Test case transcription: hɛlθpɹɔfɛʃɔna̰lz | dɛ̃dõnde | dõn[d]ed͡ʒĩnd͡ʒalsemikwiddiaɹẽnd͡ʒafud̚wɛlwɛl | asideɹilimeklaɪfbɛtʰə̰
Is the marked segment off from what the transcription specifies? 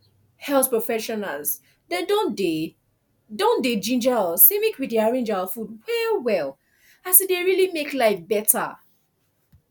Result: no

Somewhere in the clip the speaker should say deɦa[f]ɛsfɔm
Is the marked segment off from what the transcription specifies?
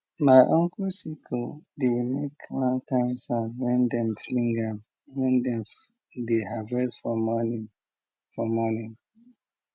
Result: yes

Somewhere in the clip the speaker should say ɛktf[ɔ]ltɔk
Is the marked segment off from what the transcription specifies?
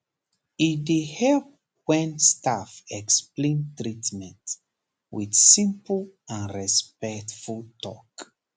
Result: yes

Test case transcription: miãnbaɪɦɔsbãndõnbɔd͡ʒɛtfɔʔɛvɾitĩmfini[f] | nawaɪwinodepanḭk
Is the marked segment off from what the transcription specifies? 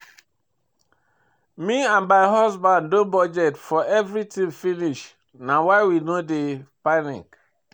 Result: yes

